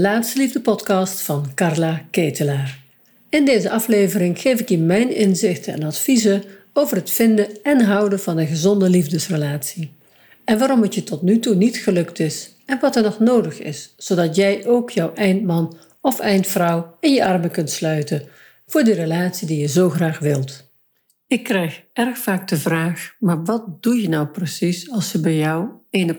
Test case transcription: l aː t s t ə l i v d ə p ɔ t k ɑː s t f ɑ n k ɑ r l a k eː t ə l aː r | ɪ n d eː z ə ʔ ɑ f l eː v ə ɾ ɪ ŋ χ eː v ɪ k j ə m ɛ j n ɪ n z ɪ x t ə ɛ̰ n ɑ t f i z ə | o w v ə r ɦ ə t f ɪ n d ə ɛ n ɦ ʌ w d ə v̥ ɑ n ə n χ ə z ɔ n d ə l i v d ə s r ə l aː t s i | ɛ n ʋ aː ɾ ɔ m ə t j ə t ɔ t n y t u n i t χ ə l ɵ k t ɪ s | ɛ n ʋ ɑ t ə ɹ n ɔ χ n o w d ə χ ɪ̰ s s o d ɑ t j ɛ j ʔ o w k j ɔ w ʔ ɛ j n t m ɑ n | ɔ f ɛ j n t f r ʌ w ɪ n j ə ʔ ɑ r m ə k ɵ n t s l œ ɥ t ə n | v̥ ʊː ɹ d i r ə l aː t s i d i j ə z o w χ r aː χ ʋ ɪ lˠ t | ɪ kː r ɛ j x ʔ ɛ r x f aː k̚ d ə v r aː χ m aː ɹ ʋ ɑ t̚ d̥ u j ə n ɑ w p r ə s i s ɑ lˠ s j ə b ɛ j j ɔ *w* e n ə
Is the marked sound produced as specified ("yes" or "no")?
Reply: yes